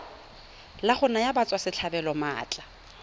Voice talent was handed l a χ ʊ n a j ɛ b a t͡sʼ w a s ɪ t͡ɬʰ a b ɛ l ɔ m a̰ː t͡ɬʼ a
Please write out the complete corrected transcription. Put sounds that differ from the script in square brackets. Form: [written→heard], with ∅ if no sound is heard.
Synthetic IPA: l a χ ʊ n a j [ɛ→a] b a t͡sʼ w a s ɪ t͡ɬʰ a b ɛ l ɔ m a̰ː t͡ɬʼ a